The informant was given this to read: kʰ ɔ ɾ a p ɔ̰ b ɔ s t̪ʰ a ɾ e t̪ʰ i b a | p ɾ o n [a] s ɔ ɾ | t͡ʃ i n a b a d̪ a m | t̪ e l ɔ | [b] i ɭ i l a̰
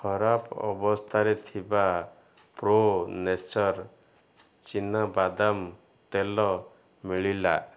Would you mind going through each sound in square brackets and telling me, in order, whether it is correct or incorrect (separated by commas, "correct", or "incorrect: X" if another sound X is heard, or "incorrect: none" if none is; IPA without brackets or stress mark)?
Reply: incorrect: e, incorrect: m